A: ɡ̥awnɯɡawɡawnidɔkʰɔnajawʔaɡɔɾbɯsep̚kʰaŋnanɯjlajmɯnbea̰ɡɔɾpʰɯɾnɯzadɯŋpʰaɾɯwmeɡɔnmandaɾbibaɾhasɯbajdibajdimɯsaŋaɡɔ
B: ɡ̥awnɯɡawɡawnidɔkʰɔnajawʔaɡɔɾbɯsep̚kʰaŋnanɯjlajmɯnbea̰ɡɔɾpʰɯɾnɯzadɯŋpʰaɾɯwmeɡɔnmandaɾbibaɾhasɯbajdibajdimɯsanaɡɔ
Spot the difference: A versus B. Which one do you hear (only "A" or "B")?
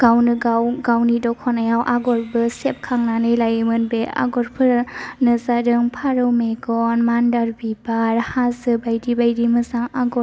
A